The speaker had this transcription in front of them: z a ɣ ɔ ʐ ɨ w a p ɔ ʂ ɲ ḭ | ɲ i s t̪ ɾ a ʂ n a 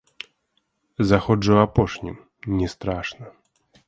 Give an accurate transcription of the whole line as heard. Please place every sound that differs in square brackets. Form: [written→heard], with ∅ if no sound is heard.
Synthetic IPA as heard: z a [ɣ→x] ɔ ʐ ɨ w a p ɔ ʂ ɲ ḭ | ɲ [i→ɛ] s t̪ ɾ a ʂ n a